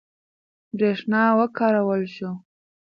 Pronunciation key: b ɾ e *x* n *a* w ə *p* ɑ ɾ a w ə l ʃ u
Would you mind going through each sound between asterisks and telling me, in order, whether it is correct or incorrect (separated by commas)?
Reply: incorrect, incorrect, incorrect